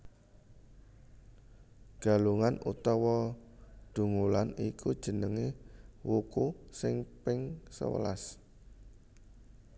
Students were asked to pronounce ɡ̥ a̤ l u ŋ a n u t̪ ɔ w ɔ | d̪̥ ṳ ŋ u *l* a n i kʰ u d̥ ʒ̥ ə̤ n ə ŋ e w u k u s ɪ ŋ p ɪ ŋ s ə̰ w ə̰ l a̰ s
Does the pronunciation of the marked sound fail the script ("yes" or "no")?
no